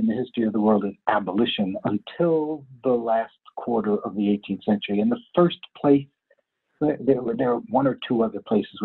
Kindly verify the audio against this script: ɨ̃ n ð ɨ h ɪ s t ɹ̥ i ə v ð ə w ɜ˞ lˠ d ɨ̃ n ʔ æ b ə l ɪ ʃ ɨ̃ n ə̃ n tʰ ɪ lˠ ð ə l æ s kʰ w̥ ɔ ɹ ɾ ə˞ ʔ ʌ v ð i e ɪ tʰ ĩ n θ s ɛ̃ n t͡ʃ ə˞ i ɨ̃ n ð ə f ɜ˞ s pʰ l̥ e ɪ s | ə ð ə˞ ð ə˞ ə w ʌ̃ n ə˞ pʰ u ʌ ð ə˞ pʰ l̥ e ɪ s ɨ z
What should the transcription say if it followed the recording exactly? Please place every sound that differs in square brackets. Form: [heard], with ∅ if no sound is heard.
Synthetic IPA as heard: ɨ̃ n ð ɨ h ɪ s t ɹ̥ i [ʌ] v ð ə w ɜ˞ lˠ d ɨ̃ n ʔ æ b ə l ɪ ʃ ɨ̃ n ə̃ n tʰ ɪ lˠ ð ə l æ s kʰ w̥ ɔ ɹ ɾ ə˞ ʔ ʌ v ð i e ɪ tʰ ĩ n θ s ɛ̃ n t͡ʃ ə˞ i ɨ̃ n ð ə f ɜ˞ s pʰ l̥ e ɪ s | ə ð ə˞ ð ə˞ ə w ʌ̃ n ə˞ [tʰ] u ʌ ð ə˞ pʰ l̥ e ɪ s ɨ z